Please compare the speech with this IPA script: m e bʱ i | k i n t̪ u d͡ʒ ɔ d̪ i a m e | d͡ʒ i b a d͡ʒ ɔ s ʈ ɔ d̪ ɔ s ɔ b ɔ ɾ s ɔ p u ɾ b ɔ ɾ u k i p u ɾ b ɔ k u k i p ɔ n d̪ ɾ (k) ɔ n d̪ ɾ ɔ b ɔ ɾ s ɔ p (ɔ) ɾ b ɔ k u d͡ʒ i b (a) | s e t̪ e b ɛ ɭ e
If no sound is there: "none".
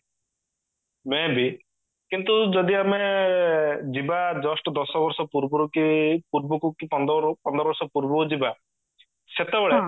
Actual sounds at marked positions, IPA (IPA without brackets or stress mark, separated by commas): p, u, a